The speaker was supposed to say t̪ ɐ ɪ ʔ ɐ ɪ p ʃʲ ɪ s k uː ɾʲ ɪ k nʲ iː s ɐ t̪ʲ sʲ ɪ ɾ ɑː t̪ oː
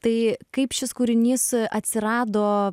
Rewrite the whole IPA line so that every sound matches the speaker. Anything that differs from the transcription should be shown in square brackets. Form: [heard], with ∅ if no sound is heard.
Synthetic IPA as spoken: t̪ ɐ ɪ [k] ɐ ɪ p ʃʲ ɪ s k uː ɾʲ ɪ [∅] nʲ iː s ɐ t̪ʲ sʲ ɪ ɾ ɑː [d̪] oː